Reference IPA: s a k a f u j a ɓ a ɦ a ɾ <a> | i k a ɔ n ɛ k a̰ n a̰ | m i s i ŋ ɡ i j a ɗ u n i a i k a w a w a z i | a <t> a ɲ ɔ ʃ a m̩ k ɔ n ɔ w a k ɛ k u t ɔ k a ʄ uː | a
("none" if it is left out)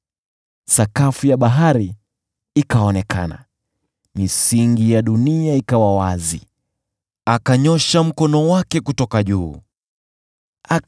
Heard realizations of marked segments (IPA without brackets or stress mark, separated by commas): i, k